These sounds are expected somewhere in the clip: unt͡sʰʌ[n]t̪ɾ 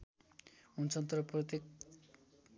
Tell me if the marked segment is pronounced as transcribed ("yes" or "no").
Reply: yes